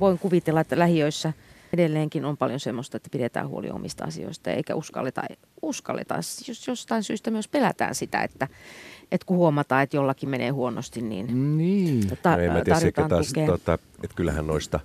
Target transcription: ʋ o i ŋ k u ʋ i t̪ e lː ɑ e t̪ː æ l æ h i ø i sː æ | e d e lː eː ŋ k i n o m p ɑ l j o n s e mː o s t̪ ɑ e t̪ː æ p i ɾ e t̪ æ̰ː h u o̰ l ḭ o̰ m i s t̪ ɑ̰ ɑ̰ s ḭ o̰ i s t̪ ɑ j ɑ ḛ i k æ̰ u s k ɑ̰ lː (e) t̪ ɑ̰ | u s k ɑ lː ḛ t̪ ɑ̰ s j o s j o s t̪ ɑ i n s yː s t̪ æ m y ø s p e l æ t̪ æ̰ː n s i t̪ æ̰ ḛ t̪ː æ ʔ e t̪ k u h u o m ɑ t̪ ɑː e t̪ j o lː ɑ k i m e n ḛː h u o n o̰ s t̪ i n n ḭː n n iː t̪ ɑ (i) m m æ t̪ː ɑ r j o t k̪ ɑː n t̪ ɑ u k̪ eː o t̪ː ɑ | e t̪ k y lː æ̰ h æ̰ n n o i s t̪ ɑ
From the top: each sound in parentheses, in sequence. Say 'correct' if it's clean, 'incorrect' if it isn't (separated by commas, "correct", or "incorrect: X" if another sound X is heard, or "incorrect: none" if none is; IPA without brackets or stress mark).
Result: correct, incorrect: e